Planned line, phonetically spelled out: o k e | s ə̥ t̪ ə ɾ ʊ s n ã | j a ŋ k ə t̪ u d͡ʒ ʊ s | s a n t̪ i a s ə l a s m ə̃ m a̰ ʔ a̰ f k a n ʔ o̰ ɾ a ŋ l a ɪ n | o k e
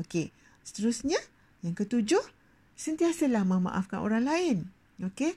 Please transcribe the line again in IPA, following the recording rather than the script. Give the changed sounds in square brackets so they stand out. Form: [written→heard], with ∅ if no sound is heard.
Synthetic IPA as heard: o k e | s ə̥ t̪ ə ɾ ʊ s [n→ɲ] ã | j a ŋ k ə t̪ u d͡ʒ ʊ [s→h] | s [a→ə] n t̪ i a s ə l a [s→h] m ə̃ m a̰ ʔ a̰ f k a n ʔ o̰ ɾ a ŋ l a ɪ n | o k e